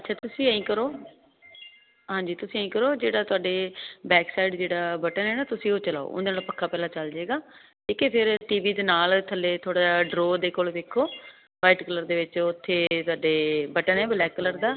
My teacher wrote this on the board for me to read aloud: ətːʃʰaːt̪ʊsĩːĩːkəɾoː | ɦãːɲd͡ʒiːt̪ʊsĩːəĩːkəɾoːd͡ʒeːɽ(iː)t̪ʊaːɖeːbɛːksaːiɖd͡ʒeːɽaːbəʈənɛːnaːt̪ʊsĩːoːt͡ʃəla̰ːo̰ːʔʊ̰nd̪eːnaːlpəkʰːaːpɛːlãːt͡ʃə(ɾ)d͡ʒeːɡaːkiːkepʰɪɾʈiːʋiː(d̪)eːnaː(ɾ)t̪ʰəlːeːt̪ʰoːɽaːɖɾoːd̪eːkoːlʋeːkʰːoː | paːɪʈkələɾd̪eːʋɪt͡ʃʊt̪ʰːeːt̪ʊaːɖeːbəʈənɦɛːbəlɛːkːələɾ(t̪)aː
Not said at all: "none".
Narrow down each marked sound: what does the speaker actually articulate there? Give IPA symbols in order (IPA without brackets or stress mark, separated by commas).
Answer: aː, l, d̪, l, d̪